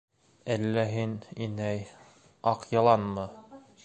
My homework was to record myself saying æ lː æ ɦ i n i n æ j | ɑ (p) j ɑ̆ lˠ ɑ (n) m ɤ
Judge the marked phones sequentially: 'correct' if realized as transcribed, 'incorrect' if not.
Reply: incorrect: q, correct

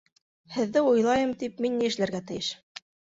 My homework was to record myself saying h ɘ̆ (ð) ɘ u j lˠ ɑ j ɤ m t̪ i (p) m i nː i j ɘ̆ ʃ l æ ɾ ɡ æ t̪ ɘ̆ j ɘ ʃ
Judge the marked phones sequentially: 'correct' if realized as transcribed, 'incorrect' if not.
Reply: incorrect: ðː, correct

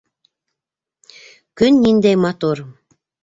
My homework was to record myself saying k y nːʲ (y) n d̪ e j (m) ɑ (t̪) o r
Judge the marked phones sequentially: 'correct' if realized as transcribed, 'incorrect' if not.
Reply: incorrect: i, correct, correct

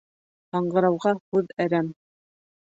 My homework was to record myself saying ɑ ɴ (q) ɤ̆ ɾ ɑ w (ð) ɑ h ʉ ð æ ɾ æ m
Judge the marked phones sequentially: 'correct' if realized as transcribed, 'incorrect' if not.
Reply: incorrect: ɢ, incorrect: ʁ

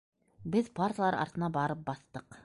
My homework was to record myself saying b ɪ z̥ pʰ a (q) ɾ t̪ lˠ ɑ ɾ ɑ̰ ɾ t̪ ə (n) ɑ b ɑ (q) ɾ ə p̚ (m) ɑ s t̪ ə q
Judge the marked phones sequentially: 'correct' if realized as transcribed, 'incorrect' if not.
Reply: incorrect: none, correct, incorrect: none, incorrect: b

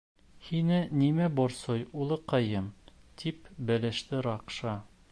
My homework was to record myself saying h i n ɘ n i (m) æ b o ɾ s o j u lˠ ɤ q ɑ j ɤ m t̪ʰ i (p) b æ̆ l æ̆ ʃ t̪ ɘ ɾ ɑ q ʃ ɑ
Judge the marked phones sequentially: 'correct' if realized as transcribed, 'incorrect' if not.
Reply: correct, correct

